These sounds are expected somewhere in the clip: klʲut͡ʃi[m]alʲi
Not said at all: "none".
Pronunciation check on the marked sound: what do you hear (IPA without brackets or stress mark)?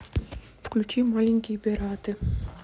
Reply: m